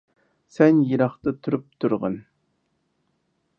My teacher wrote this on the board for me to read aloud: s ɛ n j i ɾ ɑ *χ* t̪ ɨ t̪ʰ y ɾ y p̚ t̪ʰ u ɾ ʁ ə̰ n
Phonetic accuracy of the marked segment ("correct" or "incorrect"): correct